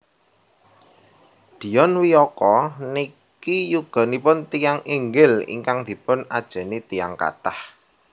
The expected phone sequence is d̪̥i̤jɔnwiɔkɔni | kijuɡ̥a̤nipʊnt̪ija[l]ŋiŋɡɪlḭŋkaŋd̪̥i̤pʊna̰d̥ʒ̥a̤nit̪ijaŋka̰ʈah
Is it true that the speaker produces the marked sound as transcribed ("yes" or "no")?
no